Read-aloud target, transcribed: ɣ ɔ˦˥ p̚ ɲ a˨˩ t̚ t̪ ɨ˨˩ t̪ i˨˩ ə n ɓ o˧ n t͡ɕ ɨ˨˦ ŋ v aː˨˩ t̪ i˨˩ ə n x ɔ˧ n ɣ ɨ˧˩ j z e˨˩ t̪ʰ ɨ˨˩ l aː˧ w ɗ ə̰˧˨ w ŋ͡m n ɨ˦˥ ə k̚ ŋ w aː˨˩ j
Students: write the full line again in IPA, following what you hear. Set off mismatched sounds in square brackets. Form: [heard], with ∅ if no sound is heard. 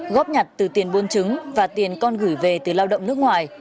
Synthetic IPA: ɣ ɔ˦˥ p̚ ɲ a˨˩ t̚ t̪ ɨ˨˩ t̪ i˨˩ ə n ɓ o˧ n t͡ɕ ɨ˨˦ ŋ v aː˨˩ t̪ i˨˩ ə n [k] ɔ˧ n ɣ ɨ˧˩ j [v] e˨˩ [t̪] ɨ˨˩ l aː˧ w ɗ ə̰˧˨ w ŋ͡m n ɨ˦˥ ə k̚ ŋ w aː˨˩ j